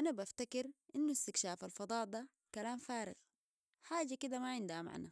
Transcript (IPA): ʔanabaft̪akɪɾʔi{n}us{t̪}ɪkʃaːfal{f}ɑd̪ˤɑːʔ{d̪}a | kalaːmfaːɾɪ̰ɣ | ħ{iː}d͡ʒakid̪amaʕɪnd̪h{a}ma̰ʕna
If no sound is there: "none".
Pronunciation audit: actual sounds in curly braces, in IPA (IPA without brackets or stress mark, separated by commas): nː, t̪, f, d̪, aː, a